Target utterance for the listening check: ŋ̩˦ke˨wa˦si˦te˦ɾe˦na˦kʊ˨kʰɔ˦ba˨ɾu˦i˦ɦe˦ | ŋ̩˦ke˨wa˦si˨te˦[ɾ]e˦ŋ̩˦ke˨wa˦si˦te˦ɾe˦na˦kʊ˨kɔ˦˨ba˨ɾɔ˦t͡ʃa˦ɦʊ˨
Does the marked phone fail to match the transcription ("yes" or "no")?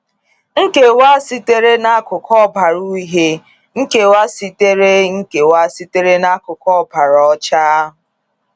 no